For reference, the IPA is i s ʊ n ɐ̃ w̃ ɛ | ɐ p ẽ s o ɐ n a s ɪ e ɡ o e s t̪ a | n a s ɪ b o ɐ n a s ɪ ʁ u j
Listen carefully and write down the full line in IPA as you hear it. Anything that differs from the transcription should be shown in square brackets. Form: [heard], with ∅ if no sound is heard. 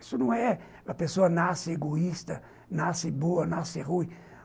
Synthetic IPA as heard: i s ʊ n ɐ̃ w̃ ɛ | ɐ p [e] s o ɐ n a s ɪ e ɡ o [i] s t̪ [ɐ] | n a s ɪ b o ɐ n a s ɪ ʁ u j